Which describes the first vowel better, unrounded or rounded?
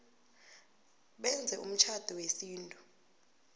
unrounded